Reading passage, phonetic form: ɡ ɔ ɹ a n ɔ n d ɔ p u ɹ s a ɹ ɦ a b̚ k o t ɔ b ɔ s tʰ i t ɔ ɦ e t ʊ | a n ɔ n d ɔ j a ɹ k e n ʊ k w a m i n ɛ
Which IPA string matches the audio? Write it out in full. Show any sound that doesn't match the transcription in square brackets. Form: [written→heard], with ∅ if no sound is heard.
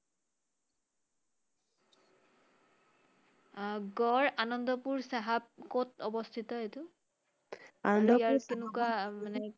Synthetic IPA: ɡ ɔ ɹ a n ɔ n d ɔ p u ɹ s a [ɹ→∅] ɦ a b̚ k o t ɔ b ɔ s tʰ i t ɔ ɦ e t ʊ | a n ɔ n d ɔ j a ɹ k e n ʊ k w a m [i→a] n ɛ